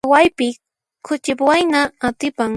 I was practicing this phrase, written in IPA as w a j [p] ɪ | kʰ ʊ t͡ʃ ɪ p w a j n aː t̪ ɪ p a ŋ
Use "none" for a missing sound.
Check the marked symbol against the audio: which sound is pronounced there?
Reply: p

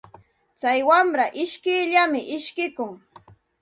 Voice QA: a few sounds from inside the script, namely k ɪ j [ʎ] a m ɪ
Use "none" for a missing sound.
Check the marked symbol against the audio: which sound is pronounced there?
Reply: ʎ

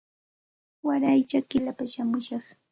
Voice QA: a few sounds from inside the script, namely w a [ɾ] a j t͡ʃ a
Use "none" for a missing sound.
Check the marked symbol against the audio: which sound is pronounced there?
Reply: ɾ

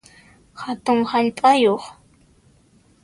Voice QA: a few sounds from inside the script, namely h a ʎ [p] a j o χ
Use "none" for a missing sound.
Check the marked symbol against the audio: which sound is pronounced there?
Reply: pʼ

